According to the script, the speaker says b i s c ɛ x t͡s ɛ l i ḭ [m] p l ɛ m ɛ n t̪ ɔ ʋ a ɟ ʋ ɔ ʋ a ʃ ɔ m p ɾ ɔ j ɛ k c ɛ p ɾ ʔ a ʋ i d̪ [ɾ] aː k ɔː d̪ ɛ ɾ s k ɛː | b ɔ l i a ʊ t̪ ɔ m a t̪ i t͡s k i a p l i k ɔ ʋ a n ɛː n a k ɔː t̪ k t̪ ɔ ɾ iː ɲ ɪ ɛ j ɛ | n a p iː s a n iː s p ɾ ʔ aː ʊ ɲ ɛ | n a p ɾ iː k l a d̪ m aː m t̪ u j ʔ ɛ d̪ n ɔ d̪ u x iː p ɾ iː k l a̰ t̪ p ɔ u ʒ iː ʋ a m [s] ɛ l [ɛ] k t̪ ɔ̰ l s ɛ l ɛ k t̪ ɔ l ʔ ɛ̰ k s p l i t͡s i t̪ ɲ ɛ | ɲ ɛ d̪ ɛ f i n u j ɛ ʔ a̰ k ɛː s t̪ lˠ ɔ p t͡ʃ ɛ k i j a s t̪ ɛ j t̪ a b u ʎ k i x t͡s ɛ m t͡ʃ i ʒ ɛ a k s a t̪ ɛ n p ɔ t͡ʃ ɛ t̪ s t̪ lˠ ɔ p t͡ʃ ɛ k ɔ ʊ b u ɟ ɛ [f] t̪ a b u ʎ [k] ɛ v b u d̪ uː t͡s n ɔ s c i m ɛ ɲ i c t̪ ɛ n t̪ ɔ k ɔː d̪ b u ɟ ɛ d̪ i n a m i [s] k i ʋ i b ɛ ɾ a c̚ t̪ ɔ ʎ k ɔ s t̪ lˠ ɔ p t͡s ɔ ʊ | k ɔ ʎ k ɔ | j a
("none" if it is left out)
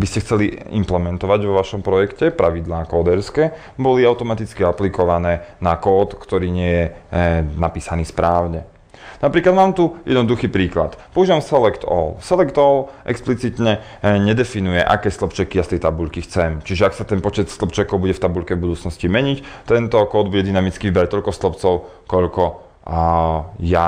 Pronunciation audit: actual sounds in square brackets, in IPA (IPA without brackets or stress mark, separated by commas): m, l, s, ɛ, f, k, t͡s